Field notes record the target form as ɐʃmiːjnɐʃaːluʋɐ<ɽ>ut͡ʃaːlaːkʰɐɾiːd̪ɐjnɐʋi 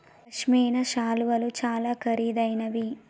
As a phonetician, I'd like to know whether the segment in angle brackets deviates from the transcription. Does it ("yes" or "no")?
yes